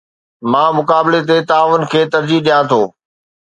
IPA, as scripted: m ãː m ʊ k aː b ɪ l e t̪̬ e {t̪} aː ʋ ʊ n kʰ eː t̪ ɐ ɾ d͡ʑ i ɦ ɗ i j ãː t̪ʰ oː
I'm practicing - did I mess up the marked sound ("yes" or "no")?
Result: no